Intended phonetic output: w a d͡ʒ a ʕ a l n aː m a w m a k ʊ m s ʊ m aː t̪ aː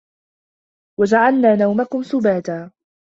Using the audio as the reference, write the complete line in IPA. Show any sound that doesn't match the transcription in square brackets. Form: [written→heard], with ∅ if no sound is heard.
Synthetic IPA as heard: w a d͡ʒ a ʕ a l n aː [m→n] a w m a k ʊ m s ʊ [m→b] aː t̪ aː

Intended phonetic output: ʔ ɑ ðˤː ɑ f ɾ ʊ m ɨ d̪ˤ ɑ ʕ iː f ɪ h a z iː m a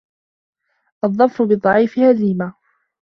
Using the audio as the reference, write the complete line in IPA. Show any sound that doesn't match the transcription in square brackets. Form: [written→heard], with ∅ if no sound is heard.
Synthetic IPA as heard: ʔ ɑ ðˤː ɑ f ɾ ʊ [m→b] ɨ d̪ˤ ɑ ʕ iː f ɪ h a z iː m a

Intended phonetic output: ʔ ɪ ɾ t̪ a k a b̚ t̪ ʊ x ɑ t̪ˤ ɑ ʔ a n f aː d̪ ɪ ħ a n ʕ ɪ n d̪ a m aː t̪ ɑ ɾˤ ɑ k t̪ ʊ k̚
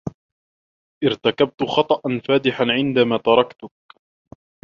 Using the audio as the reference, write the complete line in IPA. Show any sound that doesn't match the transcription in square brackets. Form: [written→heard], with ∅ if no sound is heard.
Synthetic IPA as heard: ʔ ɪ ɾ t̪ a k a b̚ t̪ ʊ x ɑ t̪ˤ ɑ ʔ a n f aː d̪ ɪ ħ a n ʕ ɪ n d̪ a m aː t̪ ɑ ɾˤ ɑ k t̪ ʊ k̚

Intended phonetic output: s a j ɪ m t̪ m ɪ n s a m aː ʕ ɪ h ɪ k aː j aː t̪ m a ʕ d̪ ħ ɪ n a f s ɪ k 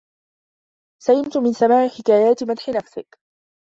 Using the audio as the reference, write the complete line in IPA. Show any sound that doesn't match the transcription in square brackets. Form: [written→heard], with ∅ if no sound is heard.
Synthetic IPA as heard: s a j ɪ m t̪ m ɪ n s a m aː ʕ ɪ [h→ħ] ɪ k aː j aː t̪ m a [ʕ→∅] d̪ ħ ɪ n a f s ɪ k

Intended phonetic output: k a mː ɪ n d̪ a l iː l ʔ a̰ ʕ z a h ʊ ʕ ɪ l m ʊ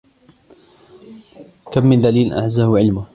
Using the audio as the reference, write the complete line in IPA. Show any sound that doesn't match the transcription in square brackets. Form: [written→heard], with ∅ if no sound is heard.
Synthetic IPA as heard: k a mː ɪ n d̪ a l iː l ʔ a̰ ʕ z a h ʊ ʕ ɪ l m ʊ

